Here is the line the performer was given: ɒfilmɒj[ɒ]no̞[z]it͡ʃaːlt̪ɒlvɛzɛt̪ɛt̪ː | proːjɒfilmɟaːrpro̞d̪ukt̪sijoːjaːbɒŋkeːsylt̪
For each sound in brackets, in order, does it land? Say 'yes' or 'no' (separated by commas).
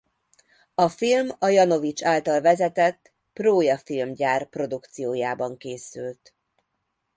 yes, no